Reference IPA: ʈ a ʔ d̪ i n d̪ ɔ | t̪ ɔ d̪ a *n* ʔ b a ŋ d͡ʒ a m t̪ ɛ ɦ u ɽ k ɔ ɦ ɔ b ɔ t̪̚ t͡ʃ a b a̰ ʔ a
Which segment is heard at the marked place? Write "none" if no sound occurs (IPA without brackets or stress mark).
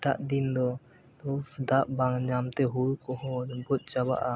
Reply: none